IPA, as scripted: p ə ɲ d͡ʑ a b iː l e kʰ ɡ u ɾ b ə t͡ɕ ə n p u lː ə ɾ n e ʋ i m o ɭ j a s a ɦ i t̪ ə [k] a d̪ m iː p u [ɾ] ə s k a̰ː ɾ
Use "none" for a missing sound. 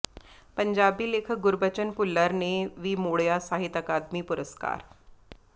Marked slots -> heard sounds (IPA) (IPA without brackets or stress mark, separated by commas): k, ɾ